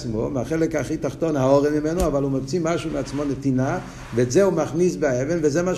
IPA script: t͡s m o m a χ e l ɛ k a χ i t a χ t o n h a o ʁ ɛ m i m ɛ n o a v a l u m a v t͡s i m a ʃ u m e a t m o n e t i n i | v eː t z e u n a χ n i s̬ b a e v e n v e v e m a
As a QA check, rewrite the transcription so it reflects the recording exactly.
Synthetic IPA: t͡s m o m a χ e l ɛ k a χ i t a χ t o n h a o ʁ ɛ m i m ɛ n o a v a l u m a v t͡s i m a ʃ u m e a t͡s m o n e t i n a | v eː t z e u m a χ n i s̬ b a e v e n v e z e m a